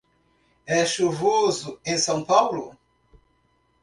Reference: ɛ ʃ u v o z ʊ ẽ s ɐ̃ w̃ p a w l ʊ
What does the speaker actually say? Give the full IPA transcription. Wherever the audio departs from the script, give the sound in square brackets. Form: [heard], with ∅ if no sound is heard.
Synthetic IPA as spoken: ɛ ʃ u v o z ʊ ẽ s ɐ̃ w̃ p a w l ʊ